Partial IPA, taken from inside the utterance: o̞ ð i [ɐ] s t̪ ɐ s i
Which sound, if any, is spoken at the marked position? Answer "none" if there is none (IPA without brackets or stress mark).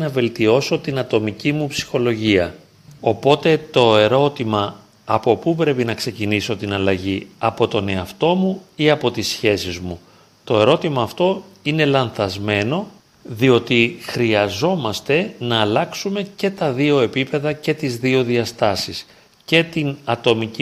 ɐ